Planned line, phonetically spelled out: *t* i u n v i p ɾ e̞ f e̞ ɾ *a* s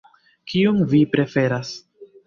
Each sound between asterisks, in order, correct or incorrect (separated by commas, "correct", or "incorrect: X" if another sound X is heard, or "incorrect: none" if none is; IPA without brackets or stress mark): incorrect: k, correct